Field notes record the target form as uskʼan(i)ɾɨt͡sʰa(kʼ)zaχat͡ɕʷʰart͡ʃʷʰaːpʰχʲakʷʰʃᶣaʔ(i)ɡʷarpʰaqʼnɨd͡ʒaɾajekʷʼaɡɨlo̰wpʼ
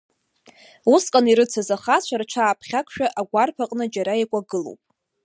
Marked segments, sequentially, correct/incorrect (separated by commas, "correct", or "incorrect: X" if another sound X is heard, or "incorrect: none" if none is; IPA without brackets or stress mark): correct, incorrect: none, incorrect: a